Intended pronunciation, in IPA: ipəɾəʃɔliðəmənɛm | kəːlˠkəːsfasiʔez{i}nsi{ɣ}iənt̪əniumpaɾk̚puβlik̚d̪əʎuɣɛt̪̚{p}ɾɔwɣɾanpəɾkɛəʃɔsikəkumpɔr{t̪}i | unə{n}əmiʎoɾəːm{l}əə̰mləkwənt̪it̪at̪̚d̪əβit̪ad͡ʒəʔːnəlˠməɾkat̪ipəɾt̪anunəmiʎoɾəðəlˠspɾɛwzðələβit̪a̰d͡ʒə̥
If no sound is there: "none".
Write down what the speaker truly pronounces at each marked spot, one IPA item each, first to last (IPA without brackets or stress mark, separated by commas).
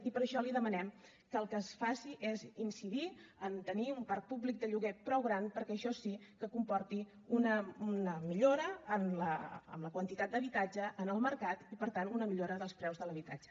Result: i, ð, p, t̪, n, l